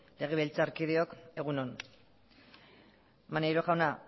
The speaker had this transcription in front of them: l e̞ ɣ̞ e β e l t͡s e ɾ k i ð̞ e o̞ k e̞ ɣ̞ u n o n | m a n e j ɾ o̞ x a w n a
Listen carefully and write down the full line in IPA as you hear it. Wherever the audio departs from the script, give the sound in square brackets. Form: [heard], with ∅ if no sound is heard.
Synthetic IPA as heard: l e̞ ɣ̞ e β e l t͡s [a] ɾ k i ð̞ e o̞ k e̞ ɣ̞ u n o n | m a n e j ɾ o̞ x a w n a